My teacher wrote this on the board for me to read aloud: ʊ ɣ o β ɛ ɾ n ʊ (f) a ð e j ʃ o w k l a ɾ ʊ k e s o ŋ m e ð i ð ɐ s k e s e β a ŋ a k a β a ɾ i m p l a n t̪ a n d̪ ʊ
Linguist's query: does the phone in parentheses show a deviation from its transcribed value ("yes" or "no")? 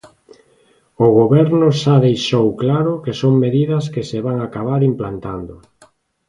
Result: yes